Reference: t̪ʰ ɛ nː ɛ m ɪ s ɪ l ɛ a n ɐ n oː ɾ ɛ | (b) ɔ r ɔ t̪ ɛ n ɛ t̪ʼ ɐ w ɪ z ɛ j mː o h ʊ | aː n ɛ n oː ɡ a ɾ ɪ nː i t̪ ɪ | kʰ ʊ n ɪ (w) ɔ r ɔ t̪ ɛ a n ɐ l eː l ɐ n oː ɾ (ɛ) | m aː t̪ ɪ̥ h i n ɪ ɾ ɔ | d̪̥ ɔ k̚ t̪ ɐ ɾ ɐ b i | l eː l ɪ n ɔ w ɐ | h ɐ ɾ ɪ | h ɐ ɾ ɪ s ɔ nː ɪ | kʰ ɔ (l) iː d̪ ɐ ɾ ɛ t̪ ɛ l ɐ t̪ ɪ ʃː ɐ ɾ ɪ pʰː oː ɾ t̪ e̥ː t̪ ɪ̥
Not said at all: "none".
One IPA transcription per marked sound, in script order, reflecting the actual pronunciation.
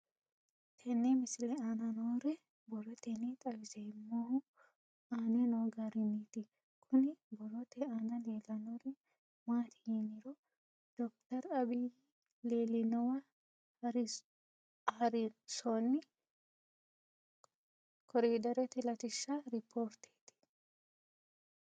b, b, ɛ, ɾ

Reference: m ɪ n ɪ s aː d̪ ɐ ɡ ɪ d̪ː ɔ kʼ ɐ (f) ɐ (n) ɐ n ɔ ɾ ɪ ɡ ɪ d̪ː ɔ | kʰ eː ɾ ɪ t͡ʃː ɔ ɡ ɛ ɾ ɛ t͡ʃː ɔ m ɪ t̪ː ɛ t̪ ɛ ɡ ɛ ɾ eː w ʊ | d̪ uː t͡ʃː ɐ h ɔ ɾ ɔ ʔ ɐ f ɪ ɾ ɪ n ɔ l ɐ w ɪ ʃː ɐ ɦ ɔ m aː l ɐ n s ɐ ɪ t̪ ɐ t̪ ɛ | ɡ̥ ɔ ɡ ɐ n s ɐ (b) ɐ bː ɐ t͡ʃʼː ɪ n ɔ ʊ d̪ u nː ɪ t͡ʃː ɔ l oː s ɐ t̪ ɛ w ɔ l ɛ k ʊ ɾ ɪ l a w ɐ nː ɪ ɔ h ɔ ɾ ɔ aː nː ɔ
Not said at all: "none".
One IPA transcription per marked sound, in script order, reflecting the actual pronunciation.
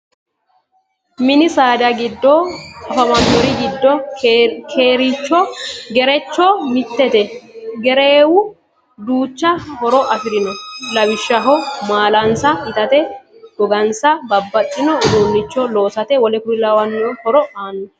f, m, b

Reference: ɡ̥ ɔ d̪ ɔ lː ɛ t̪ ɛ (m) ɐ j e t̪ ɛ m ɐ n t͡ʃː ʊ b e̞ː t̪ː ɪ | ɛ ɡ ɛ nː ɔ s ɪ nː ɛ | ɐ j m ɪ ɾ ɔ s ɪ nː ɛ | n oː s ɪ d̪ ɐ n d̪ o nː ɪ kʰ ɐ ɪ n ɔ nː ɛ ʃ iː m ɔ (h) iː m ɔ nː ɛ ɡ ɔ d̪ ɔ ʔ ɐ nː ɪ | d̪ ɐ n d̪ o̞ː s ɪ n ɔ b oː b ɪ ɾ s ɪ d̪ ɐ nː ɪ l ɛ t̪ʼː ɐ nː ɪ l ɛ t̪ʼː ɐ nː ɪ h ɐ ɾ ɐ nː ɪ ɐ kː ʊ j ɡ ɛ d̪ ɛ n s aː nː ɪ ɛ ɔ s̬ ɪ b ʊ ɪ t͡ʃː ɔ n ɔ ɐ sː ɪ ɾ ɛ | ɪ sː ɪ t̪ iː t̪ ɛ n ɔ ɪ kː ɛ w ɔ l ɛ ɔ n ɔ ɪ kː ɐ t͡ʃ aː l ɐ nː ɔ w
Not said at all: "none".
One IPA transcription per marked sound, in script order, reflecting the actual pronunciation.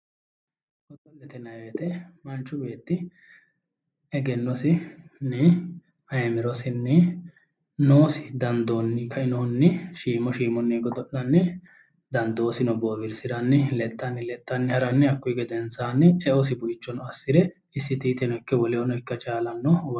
n, ʃ

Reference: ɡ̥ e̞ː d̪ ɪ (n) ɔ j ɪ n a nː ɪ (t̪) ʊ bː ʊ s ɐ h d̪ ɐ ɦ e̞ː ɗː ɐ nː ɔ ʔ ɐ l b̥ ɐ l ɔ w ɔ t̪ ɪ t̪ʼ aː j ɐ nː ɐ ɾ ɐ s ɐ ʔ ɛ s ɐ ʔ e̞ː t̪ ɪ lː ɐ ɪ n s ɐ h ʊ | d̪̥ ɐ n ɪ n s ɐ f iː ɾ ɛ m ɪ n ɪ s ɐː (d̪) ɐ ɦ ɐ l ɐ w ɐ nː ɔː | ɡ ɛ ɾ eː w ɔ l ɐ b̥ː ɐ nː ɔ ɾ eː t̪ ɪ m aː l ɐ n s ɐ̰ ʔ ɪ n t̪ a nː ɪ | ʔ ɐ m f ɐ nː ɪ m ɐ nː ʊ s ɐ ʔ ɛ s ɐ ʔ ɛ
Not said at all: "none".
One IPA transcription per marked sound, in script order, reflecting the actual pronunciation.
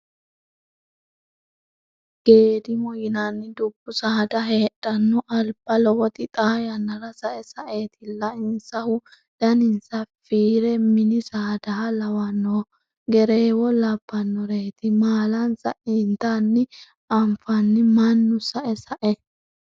m, d̪, d̪

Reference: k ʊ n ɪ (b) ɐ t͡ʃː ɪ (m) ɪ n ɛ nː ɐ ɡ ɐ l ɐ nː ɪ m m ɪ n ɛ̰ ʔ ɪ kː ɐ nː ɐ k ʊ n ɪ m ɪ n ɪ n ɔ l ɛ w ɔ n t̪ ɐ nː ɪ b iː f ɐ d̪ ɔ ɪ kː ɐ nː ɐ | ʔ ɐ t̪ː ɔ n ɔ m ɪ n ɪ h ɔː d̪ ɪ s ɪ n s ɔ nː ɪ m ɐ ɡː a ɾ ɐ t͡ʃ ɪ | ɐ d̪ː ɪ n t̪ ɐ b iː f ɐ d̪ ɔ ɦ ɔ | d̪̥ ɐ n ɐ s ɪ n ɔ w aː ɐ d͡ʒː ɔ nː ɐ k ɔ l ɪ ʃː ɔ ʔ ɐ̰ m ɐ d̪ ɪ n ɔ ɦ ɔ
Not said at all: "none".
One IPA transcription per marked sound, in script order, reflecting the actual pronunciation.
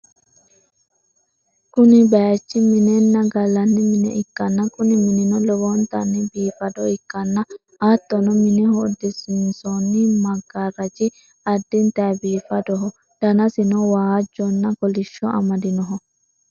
b, m

